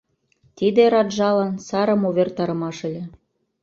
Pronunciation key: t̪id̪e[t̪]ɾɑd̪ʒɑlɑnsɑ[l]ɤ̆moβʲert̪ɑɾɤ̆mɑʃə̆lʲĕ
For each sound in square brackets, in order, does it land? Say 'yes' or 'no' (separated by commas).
no, no